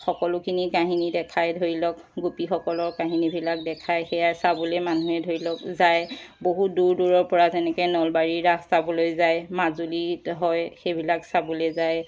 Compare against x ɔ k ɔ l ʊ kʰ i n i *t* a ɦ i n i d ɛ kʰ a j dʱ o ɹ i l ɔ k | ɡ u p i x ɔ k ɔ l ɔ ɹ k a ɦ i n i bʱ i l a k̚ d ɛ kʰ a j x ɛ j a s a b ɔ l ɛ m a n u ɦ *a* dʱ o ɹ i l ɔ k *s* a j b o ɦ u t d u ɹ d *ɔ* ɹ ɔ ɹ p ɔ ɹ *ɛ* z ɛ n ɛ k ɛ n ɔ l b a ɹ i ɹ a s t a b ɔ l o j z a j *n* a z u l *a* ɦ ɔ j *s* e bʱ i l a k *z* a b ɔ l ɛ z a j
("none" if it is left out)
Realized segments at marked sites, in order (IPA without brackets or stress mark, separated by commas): k, ɛ, z, u, a, m, i, x, s